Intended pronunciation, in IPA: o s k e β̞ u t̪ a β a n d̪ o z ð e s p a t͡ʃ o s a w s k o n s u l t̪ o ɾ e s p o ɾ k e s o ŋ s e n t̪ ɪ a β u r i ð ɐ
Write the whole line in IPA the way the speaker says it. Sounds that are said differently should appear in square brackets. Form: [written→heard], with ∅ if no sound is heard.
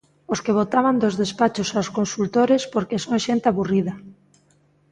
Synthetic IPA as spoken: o s k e β̞ [u→o] t̪ a β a n d̪ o z ð e s p a t͡ʃ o s a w s k o n s u l t̪ o ɾ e s p o ɾ k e s o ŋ [s→ʃ] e n t̪ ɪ a β u r i ð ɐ